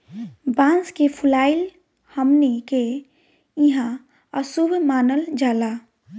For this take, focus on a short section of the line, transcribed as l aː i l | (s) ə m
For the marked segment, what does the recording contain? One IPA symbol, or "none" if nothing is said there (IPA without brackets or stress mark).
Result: h